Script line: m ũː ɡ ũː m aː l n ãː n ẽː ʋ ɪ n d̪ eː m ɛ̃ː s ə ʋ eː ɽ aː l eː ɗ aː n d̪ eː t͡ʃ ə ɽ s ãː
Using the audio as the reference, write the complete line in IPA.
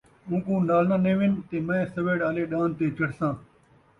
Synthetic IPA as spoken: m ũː k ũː n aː l n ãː n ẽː ʋ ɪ n t̪ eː m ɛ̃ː s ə ʋ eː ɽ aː l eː ɗ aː n t̪ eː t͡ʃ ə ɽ s ãː